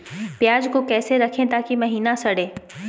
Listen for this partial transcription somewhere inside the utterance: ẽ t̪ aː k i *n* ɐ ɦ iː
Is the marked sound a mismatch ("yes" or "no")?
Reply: yes